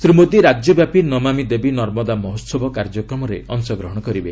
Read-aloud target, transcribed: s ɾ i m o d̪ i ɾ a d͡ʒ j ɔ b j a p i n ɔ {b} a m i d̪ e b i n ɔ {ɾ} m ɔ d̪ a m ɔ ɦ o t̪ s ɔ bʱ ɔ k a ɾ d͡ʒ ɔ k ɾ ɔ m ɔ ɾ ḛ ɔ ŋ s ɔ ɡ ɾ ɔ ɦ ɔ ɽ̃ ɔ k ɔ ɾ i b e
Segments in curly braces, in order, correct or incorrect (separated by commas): incorrect, correct